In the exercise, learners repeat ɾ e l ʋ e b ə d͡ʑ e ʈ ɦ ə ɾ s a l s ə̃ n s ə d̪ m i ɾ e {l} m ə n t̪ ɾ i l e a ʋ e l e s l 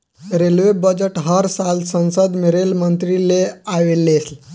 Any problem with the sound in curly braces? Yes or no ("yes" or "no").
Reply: no